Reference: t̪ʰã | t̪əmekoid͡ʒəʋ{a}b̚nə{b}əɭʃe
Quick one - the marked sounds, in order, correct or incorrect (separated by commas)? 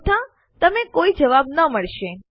correct, incorrect